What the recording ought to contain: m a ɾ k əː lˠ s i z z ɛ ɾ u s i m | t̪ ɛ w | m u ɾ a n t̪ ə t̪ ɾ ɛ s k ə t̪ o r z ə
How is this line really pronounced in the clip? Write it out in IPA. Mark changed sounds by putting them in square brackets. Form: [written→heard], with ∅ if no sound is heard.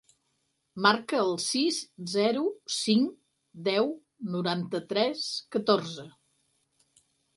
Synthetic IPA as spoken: m a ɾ k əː lˠ s i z z ɛ ɾ u s i [m→ŋ] | [t̪→d̪] ɛ w | [m→n] u ɾ a n t̪ ə t̪ ɾ ɛ s k ə t̪ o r z ə